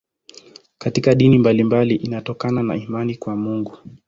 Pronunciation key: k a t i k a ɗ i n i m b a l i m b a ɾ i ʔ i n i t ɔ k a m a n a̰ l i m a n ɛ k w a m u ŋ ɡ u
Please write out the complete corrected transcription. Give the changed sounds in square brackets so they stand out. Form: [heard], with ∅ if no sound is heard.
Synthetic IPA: k a t i k a ɗ i n i m b a l i m b a [l] i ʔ i n [a] t ɔ k a [n] a n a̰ [∅] i m a n [i] k w a m u ŋ ɡ u

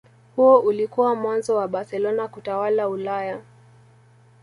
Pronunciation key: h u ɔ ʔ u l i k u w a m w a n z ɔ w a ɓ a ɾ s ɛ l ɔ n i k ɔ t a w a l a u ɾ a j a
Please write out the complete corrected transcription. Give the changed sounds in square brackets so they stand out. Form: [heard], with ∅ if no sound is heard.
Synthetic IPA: h u ɔ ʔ u l i k u w a m w a n z ɔ w a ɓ a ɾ s ɛ l ɔ n [a] k [u] t a w a l a u [l] a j a

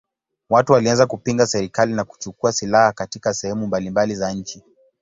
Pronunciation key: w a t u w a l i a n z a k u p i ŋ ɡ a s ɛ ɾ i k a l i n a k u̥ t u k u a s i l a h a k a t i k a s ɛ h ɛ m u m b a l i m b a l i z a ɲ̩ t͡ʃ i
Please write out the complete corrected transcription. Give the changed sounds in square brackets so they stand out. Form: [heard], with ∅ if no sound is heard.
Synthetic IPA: w a t u w a l i a n z a k u p i ŋ ɡ a s ɛ ɾ i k a l i n a k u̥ [t͡ʃ] u k u a s i l a h a k a t i k a s ɛ h ɛ m u m b a l i m b a l i z a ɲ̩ t͡ʃ i

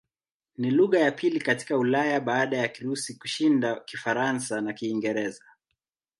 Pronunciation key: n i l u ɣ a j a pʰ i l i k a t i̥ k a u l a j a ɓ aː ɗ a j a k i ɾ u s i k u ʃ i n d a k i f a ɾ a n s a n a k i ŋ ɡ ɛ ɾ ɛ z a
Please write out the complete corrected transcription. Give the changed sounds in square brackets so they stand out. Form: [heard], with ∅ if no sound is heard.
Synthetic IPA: n i l u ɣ a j a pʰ i l i k a t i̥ k a u l a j a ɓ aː ɗ a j a k i ɾ u s i k u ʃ i n d a k i f a ɾ a n s a n a k [iː] ŋ ɡ ɛ ɾ ɛ z a

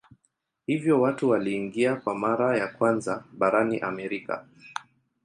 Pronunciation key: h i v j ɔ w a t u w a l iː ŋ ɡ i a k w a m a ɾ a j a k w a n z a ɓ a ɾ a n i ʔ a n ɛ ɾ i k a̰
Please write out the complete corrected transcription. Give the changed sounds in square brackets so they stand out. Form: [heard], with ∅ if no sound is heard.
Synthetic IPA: h i v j ɔ w a t u w a l iː ŋ ɡ i a k w a m a ɾ a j a k w a n z a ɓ a ɾ a n i ʔ a [m] ɛ ɾ i k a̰

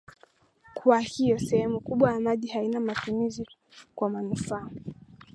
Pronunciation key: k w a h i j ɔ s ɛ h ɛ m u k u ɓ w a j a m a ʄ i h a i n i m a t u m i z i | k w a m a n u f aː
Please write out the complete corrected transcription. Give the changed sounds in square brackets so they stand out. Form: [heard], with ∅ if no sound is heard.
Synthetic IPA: k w a h i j ɔ s ɛ h ɛ m u k u ɓ w a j a m a ʄ i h a i n [a] m a t u m i z i | k w a m a n u f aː

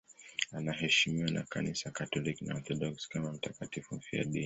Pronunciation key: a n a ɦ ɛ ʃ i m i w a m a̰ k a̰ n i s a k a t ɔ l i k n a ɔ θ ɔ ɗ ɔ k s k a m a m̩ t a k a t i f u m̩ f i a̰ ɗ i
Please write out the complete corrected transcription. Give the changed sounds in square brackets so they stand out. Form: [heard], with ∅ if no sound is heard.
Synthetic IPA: a n a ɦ ɛ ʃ i m i w a [n] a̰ k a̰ n i s a k a t ɔ l i k n a ɔ θ ɔ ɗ ɔ k s k a m a m̩ t a k a t i f u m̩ f i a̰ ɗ i

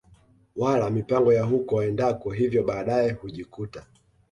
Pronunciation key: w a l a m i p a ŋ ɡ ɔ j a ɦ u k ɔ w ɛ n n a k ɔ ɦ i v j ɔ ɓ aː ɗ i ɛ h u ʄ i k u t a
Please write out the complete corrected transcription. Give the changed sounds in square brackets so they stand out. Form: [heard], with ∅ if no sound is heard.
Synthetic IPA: w a l a m i p a ŋ ɡ ɔ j a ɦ u k ɔ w ɛ n [d] a k ɔ ɦ i v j ɔ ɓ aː ɗ [a] ɛ h u ʄ i k u t a

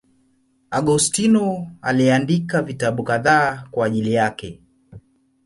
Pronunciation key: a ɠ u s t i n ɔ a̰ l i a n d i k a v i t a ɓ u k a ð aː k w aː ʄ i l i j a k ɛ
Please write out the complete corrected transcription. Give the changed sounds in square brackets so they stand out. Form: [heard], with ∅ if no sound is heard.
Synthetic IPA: a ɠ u s t i n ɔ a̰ l i a n d i k a v i t a ɓ u k a ð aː k w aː ʄ i l i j a k ɛ

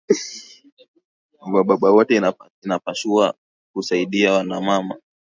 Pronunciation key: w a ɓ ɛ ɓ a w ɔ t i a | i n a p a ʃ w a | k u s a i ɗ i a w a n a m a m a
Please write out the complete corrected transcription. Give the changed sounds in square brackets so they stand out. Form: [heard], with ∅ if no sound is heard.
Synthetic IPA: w a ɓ [a] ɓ a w ɔ t [ɛ] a | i n a p a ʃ [u] a | k u s a i ɗ i a w a n a m a m a

